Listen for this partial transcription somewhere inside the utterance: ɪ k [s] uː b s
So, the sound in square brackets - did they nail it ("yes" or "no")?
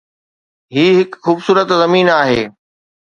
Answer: no